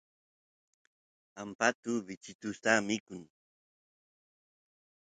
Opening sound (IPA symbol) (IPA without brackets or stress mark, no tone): a